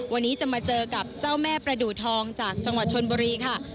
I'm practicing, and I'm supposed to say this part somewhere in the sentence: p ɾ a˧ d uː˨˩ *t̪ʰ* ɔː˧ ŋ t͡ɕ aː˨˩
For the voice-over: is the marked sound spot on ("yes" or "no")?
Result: yes